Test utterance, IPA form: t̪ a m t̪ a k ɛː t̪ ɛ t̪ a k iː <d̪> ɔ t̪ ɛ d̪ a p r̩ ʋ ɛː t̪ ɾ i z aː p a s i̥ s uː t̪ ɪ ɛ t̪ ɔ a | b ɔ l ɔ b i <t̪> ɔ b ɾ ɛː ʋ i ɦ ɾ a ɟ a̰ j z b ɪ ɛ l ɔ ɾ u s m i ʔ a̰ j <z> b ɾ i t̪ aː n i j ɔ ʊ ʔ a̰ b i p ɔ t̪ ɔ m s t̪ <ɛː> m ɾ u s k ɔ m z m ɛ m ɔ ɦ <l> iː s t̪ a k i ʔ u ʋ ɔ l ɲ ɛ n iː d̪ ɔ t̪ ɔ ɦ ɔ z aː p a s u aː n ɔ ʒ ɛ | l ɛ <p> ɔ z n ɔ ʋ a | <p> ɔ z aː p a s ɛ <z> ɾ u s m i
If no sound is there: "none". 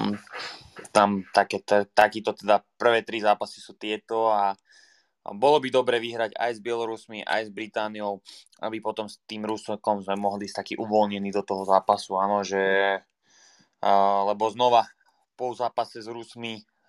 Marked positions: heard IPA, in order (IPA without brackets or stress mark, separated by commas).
t̪, d̪, z, iː, l, b, p, z